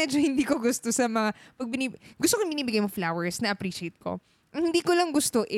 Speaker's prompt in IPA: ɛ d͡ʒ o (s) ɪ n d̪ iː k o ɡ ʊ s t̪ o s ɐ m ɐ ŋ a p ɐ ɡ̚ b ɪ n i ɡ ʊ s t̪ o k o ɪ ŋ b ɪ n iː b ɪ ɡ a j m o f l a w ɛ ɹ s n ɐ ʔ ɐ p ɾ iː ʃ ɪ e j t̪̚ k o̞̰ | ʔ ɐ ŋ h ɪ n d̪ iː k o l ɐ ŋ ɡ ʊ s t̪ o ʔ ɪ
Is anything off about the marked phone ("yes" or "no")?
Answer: yes